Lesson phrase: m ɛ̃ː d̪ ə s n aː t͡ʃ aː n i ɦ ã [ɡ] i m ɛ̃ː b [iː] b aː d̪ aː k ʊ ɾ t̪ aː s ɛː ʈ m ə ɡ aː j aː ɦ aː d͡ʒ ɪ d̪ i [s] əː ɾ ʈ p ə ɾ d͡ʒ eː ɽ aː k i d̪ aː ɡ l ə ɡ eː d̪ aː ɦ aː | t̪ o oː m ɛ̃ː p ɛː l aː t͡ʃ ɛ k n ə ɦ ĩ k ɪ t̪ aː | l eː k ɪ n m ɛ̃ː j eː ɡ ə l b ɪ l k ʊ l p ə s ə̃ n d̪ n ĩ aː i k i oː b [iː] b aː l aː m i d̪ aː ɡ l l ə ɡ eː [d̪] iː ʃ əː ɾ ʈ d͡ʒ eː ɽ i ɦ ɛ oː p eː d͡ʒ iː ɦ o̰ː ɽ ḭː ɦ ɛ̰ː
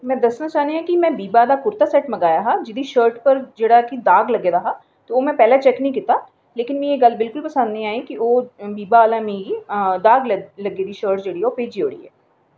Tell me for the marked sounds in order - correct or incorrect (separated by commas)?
incorrect, correct, incorrect, correct, correct